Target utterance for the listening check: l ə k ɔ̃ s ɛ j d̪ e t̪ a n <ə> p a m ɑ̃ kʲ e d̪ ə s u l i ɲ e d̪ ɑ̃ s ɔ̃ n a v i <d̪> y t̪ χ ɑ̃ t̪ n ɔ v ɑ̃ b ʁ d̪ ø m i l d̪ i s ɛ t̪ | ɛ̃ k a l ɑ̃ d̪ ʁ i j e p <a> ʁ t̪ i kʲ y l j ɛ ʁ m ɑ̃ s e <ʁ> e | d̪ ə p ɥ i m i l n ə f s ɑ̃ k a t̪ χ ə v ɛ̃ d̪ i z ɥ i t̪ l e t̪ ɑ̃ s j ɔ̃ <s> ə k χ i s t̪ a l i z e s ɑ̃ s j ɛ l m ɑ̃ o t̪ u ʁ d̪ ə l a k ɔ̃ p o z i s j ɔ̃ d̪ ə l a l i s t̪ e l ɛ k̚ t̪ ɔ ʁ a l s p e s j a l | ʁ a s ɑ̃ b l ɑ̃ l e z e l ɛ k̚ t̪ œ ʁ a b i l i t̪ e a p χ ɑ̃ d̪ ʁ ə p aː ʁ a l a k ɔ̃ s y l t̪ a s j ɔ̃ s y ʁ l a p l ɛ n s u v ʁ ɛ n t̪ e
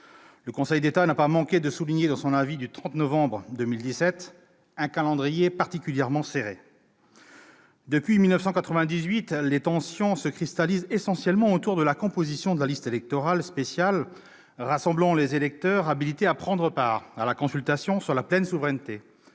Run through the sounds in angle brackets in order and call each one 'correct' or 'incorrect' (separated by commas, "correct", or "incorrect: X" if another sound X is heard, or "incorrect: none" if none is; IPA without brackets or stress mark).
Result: incorrect: a, correct, correct, correct, correct